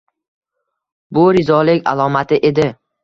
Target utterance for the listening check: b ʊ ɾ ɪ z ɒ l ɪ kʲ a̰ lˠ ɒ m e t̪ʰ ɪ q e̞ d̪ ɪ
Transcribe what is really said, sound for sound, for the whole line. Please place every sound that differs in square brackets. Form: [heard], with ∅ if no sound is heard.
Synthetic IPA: b ʊ ɾ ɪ z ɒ l ɪ kʲ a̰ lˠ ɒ m [a] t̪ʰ ɪ [ʔ] e̞ d̪ ɪ